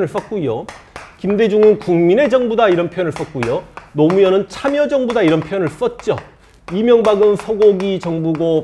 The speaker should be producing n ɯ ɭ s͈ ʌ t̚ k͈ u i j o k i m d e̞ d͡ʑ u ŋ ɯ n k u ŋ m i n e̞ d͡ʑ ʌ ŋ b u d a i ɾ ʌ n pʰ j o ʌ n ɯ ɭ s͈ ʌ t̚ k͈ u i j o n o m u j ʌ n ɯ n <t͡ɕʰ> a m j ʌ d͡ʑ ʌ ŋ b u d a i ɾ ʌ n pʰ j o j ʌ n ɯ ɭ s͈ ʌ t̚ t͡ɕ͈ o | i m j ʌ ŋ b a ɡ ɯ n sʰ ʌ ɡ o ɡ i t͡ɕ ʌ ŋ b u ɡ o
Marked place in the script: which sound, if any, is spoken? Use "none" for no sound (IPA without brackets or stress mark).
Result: t͡ɕʰ